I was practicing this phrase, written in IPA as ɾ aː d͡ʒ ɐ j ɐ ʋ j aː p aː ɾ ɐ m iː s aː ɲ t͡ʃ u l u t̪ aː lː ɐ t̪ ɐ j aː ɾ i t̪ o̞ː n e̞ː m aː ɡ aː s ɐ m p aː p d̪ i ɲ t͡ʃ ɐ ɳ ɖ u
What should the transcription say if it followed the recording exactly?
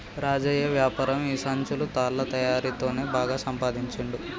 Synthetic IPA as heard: ɾ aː d͡ʒ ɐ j ɐ ʋ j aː p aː ɾ ɐ m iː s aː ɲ t͡ʃ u l u t̪ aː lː ɐ t̪ ɐ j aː ɾ i t̪ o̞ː n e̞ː b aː ɡ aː s ɐ m p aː d̪ i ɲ t͡ʃ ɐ ɳ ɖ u

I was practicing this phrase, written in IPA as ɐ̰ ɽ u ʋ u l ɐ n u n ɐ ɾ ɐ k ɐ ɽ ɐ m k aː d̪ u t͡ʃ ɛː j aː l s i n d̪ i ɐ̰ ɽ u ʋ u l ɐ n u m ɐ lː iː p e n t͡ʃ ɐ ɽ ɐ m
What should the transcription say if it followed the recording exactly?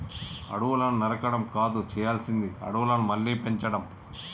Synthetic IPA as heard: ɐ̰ ɽ u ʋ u l ɐ n u n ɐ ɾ ɐ k ɐ ɽ ɐ m k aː d̪ u t͡ʃ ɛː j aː l s i n d̪ i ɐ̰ ɽ u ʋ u l ɐ n u m ɐ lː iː p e ɲ t͡ʃ ɐ ɽ ɐ m

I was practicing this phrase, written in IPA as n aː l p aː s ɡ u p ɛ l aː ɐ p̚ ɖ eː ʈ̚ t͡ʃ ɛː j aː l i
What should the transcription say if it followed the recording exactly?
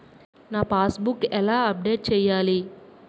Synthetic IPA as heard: n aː p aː s b u k ɛ l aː ɐ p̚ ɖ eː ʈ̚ t͡ʃ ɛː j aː l i

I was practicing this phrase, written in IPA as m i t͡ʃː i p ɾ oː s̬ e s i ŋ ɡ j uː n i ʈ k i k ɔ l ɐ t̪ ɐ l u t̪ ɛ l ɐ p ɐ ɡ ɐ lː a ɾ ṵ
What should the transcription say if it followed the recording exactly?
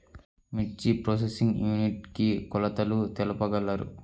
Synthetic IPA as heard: m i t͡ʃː i p ɾ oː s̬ e s i ŋ ɡ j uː n i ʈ k i k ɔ l ɐ t̪ ɐ l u t̪ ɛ l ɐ p ɐ ɡ ɐ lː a ɾ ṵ

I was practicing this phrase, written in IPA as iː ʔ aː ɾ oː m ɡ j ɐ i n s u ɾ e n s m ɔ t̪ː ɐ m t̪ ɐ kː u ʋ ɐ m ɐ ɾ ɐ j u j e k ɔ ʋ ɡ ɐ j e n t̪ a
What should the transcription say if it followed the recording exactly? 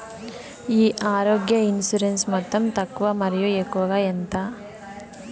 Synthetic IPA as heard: iː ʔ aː ɾ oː ɡ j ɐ i n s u ɾ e n s m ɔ t̪ː ɐ m t̪ ɐ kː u ʋ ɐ m ɐ ɾ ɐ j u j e k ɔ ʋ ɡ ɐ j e n t̪ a

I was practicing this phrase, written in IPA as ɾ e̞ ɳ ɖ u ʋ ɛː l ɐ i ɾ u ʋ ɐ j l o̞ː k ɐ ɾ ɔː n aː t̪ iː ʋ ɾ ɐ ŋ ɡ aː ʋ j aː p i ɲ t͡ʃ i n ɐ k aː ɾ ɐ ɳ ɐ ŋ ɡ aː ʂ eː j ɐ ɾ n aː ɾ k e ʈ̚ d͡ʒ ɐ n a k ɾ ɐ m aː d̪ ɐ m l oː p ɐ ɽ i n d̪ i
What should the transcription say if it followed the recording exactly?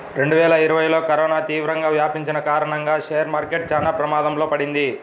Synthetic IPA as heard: ɾ e̞ ɳ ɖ u ʋ ɛː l ɐ i ɾ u ʋ ɐ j l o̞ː k ɐ ɾ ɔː n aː t̪ iː ʋ ɾ ɐ ŋ ɡ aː ʋ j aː p i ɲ t͡ʃ i n ɐ k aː ɾ ɐ ɳ ɐ ŋ ɡ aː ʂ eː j ɐ ɾ m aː ɾ k e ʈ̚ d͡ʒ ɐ n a p ɾ ɐ m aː d̪ ɐ m l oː p ɐ ɽ i n d̪ i

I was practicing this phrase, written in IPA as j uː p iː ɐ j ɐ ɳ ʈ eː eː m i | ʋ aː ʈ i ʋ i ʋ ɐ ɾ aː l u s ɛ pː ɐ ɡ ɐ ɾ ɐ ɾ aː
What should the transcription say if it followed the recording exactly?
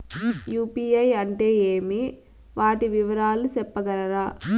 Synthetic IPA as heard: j uː p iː ɐ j ɐ ɳ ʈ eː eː m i | ʋ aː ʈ i ʋ i ʋ ɐ ɾ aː l u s ɛ pː ɐ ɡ ɐ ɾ ɐ ɾ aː

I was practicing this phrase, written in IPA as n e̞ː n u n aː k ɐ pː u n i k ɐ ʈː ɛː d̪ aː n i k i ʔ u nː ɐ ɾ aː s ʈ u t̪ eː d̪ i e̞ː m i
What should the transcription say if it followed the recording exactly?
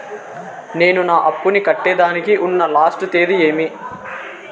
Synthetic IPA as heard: n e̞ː n u n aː ʔ ɐ pː u n i k ɐ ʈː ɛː d̪ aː n i k i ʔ u nː ɐ l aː s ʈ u t̪ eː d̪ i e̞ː m i

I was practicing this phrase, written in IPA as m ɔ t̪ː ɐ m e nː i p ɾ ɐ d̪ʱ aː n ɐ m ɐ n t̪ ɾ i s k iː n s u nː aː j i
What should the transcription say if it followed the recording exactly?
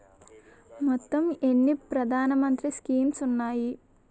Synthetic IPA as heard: m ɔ t̪ː ɐ m e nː i p ɾ ɐ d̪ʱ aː n ɐ m ɐ n t̪ ɾ i s k iː m s u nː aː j i

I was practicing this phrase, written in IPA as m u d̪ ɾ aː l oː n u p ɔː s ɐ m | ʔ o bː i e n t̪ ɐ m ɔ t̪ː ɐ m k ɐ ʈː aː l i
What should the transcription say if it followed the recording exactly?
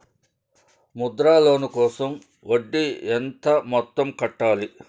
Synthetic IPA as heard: m u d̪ ɾ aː l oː n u k ɔː s ɐ m | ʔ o ɖː i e n t̪ ɐ m ɔ t̪ː ɐ m k ɐ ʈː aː l i

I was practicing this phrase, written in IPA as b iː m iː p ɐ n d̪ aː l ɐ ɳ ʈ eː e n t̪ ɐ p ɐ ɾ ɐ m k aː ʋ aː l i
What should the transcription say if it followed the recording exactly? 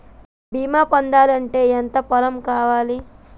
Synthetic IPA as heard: b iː m aː p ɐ n d̪ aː l ɐ ɳ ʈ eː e n t̪ ɐ p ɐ l ɐ m k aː ʋ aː l i

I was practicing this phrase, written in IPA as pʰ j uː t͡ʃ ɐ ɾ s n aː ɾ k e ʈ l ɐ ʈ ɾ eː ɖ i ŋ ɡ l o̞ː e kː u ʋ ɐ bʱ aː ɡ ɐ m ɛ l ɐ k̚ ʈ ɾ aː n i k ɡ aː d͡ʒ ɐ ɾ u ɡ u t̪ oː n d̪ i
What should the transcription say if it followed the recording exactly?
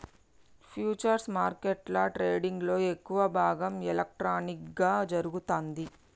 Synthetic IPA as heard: pʰ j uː t͡ʃ ɐ ɾ s m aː ɾ k e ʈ l ɐ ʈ ɾ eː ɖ i ŋ ɡ l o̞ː e kː u ʋ ɐ bʱ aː ɡ ɐ m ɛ l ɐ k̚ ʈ ɾ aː n i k ɡ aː d͡ʒ ɐ ɾ u ɡ u t̪ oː n d̪ i

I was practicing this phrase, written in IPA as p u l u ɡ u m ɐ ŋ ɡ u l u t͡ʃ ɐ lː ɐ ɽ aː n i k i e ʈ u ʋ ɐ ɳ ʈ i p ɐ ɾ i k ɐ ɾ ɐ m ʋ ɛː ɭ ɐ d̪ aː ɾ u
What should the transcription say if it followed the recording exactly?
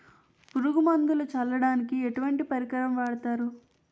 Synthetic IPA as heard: p u ɾ u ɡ u m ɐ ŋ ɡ u l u t͡ʃ ɐ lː ɐ ɽ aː n i k i e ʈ u ʋ ɐ ɳ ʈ i p ɐ ɾ i k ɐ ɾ ɐ m ʋ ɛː ɽ ɐ t̪ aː ɾ u

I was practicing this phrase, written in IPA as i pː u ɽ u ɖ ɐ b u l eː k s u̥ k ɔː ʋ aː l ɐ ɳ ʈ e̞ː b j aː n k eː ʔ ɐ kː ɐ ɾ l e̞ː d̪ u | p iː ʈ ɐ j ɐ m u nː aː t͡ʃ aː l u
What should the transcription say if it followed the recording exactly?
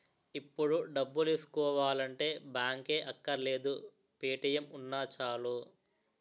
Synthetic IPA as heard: i pː u ɽ u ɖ ɐ bː u l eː s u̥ k ɔː ʋ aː l ɐ ɳ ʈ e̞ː b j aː ŋ k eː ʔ ɐ kː ɐ ɾ l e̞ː d̪ u | p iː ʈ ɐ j ɐ m u nː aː t͡ʃ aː l u

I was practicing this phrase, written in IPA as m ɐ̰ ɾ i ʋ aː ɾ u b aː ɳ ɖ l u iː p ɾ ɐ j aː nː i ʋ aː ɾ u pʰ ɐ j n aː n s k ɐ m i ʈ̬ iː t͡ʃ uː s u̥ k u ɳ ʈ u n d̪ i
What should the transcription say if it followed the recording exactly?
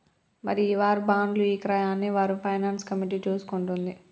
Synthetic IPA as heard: m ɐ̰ ɾ i ʋ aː ɾ u b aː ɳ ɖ l u iː k ɾ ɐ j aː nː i ʋ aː ɾ u pʰ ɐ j n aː n s k ɐ m i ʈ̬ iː t͡ʃ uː s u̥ k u ɳ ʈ u n d̪ i

